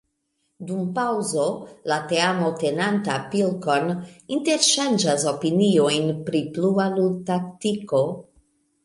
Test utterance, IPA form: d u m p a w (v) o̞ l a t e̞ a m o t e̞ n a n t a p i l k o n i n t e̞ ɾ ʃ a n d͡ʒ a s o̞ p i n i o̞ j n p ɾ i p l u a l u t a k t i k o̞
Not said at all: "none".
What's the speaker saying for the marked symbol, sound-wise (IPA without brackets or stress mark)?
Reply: z